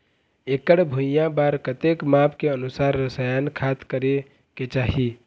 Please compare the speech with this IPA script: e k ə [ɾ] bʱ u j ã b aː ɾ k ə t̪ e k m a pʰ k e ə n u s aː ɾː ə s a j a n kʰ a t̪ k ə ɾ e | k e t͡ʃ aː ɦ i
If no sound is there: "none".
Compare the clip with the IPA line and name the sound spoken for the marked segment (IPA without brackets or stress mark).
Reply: ɽ